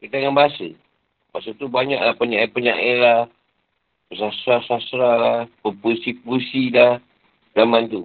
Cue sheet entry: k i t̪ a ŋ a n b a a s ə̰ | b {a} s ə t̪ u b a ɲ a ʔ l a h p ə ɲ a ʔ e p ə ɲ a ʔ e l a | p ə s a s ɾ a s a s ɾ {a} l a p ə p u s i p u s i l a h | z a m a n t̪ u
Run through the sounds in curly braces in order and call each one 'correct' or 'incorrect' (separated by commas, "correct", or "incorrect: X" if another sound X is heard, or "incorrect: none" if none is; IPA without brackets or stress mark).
correct, correct